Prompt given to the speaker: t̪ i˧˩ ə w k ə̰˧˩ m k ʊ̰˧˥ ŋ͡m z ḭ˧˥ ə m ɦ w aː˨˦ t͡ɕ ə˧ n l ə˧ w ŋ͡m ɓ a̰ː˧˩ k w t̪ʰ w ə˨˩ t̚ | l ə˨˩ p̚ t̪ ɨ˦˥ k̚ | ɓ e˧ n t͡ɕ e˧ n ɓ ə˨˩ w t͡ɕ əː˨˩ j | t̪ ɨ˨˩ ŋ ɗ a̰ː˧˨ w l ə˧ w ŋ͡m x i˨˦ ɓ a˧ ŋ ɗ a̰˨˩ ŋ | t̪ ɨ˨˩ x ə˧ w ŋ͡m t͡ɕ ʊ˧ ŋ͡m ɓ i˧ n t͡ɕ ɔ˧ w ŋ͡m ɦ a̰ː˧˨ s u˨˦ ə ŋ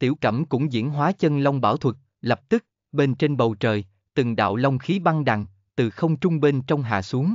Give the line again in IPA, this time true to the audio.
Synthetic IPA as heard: t̪ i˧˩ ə w k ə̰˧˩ m k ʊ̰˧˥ ŋ͡m z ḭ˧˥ ə n ɦ w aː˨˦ t͡ɕ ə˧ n l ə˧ w ŋ͡m ɓ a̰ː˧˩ w t̪ʰ w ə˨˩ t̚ | l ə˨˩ p̚ t̪ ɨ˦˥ k̚ | ɓ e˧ n t͡ɕ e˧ n ɓ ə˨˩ w t͡ɕ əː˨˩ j | t̪ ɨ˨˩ ŋ ɗ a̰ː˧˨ w l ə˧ w ŋ͡m x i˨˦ ɓ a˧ ŋ ɗ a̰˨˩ ŋ | t̪ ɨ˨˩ x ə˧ w ŋ͡m t͡ɕ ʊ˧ ŋ͡m ɓ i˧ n t͡ɕ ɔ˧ w ŋ͡m ɦ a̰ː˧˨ s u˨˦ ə ŋ

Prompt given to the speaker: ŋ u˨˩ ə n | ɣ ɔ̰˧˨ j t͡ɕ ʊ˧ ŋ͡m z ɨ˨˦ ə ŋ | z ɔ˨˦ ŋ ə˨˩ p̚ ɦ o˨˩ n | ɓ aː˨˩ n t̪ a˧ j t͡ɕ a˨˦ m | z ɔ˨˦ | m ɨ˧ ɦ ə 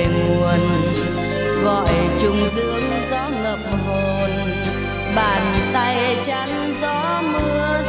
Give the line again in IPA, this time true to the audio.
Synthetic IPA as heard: ŋ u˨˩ ə n | ɣ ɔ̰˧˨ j t͡ɕ ʊ˧ ŋ͡m z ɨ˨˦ ə ŋ | z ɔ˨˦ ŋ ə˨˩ p̚ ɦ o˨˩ n | ɓ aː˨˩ n t̪ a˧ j t͡ɕ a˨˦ ŋ | z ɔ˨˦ | m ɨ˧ ə

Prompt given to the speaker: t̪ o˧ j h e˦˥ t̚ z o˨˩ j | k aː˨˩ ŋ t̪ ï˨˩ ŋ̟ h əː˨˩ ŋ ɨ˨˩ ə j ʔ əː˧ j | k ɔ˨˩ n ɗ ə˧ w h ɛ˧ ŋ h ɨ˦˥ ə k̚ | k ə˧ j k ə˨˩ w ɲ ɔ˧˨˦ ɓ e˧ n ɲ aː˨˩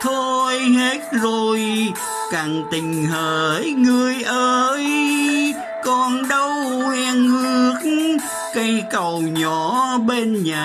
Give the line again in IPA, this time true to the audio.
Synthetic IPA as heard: t̪ʰ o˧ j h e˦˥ t̚ z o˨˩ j | k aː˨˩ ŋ t̪ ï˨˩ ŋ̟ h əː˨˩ ŋ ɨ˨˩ ə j ʔ əː˧ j | k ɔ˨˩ n ɗ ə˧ w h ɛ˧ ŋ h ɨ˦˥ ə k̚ | k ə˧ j k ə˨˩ w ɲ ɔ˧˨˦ ɓ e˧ n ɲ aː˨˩

